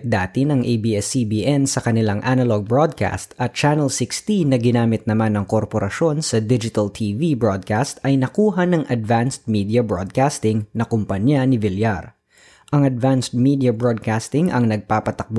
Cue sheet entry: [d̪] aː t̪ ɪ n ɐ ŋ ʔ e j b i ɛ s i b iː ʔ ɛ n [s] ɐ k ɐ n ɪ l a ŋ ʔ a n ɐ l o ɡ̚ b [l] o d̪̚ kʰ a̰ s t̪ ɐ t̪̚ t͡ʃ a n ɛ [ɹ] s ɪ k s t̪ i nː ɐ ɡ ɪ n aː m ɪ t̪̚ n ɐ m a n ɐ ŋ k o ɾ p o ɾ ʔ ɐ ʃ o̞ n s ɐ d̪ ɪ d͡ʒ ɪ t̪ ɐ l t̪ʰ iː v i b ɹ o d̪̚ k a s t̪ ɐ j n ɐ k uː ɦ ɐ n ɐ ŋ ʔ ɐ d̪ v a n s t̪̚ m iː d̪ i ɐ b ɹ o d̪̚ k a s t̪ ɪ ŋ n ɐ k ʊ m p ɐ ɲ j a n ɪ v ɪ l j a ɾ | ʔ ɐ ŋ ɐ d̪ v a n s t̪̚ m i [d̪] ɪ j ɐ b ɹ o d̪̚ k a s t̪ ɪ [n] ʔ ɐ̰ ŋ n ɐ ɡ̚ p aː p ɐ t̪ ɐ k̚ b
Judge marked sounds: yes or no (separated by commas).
yes, yes, no, no, yes, no